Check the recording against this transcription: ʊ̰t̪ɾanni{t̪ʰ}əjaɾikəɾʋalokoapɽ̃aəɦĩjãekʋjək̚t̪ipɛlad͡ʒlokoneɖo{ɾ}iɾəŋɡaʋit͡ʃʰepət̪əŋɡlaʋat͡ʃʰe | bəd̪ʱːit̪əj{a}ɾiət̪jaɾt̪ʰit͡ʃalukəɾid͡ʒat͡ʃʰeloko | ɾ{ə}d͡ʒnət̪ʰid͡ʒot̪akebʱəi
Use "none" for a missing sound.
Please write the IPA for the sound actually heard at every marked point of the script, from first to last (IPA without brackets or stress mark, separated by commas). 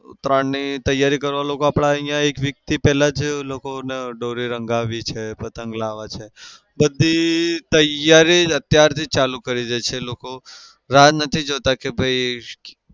t̪, ɾ, a, a